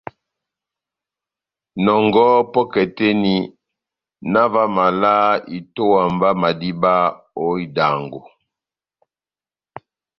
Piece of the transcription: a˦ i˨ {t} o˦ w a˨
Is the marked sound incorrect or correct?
correct